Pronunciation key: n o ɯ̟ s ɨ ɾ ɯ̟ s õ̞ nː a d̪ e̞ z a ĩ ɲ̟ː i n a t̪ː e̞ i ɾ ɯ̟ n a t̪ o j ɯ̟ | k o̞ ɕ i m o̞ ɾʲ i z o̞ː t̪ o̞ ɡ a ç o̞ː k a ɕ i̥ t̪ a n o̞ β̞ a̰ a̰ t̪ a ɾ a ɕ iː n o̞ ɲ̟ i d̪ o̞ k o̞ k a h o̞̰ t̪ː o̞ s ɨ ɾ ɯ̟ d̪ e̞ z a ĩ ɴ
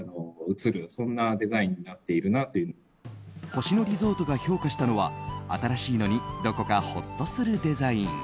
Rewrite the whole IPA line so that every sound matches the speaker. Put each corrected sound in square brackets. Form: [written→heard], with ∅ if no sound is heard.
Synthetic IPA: n o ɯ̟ [s→t͡s] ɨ ɾ ɯ̟ s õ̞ nː a d̪ e̞ z a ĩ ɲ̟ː i n a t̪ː e̞ i ɾ ɯ̟ n a t̪ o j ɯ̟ | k o̞ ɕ i [m→n] o̞ ɾʲ i z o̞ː t̪ o̞ ɡ a ç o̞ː k a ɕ i̥ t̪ a n o̞ β̞ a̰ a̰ t̪ a ɾ a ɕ iː n o̞ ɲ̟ i d̪ o̞ k o̞ k a h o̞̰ t̪ː o̞ s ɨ ɾ ɯ̟ d̪ e̞ z a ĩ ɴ